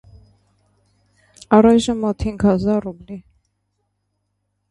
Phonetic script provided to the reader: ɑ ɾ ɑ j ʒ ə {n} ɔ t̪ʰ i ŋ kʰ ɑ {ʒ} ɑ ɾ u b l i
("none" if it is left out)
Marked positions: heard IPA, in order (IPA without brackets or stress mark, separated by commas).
m, z